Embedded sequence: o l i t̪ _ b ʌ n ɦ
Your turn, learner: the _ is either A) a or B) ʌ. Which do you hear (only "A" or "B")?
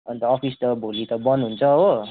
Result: B